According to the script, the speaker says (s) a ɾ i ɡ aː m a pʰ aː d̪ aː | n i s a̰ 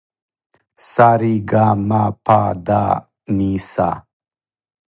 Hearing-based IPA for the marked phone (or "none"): s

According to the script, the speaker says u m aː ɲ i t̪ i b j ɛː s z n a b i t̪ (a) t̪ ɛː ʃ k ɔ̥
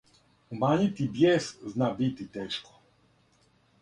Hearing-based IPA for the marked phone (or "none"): i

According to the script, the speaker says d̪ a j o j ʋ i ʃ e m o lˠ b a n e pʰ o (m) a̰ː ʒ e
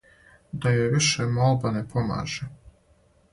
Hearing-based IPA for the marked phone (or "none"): m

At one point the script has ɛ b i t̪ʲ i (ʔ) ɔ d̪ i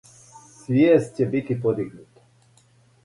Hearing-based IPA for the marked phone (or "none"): p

